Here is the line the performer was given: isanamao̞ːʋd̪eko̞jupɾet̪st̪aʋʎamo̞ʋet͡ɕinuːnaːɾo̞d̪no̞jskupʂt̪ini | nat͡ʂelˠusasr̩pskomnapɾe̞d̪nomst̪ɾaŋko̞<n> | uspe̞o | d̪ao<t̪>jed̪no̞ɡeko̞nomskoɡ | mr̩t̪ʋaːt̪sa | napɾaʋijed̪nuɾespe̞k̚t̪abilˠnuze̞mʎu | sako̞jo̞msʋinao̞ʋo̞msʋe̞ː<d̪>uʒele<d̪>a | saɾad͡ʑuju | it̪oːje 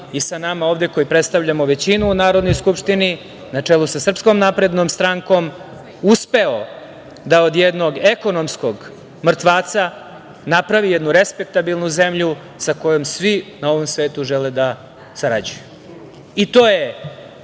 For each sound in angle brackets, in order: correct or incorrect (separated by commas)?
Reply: incorrect, incorrect, incorrect, correct